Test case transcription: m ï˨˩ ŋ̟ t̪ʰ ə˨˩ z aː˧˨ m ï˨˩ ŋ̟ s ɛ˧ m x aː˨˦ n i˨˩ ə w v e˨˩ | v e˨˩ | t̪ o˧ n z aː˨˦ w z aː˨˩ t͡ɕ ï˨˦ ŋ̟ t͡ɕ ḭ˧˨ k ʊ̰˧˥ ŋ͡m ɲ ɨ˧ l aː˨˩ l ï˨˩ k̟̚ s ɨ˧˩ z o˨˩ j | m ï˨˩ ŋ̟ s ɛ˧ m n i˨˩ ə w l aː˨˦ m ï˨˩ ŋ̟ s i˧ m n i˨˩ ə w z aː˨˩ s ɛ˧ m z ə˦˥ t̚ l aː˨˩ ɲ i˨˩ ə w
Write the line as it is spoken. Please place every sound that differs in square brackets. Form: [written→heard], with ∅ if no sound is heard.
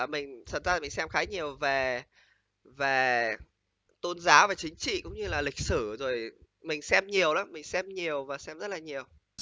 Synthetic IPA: m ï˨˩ ŋ̟ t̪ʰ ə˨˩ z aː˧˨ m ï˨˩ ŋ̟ s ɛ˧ m x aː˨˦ [n→ɲ] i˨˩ ə w v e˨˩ | v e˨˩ | t̪ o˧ n z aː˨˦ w [z→v] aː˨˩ t͡ɕ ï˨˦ ŋ̟ t͡ɕ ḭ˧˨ k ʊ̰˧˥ ŋ͡m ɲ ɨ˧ l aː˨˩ l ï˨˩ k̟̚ s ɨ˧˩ z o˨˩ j | m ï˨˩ ŋ̟ s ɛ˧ m [n→ɲ] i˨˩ ə w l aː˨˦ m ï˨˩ ŋ̟ s [i˧→ɛ˧] m [n→ɲ] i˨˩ ə w [z→v] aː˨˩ s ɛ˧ m z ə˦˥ t̚ l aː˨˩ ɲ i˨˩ ə w